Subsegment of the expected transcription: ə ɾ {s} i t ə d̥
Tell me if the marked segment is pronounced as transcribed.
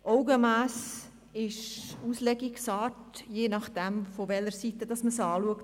yes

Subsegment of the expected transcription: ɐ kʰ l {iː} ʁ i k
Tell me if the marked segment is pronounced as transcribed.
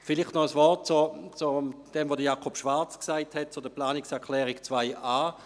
no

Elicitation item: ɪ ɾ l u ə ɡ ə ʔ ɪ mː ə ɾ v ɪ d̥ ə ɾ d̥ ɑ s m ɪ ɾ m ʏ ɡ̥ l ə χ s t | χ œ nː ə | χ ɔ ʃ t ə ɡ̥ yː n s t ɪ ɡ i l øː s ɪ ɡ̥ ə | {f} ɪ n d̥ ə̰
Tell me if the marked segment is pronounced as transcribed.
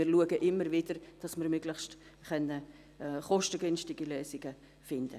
yes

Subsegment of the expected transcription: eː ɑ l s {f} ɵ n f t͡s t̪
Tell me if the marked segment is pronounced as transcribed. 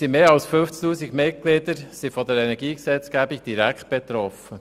yes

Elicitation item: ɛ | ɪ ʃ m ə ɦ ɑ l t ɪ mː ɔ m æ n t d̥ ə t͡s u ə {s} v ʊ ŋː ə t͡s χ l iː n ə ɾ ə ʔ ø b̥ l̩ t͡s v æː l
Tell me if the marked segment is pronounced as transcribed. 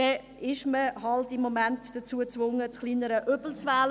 no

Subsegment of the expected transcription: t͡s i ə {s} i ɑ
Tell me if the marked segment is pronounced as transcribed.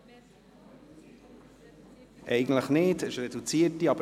no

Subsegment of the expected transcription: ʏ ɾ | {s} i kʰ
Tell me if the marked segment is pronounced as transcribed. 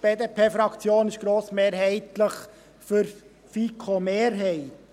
no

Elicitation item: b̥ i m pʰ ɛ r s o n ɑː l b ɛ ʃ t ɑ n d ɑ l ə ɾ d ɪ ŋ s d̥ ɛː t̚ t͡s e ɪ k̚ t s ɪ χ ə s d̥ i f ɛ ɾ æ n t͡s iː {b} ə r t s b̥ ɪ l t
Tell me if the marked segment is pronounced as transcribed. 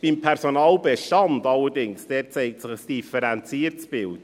no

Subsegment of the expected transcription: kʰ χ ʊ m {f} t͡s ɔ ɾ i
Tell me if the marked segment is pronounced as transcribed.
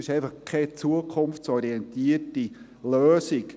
yes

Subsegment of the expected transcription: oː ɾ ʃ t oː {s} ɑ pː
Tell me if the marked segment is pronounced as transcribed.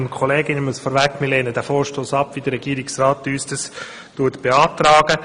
yes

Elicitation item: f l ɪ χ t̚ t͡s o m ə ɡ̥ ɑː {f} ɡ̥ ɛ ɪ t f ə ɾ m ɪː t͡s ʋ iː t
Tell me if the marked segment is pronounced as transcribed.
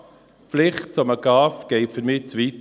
yes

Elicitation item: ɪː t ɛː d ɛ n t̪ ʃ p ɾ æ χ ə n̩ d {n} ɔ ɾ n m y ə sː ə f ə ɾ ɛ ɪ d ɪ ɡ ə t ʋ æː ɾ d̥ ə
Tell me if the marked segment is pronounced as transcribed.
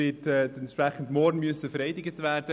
no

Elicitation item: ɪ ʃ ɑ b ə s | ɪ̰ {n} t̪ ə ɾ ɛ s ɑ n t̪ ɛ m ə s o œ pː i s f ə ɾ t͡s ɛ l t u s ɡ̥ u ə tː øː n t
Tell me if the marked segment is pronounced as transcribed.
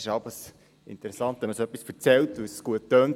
yes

